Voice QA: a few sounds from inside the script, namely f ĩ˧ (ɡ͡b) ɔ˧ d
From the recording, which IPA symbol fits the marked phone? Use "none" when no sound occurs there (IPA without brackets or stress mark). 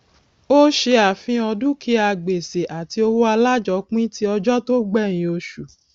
none